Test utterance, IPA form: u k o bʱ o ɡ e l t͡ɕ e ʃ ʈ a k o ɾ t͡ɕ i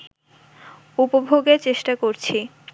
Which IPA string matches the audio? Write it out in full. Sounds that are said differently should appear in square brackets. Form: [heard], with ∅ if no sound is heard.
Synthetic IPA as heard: u [p] o bʱ o ɡ e [ɾ] t͡ɕ e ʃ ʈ a k o ɾ [t͡ɕʰ] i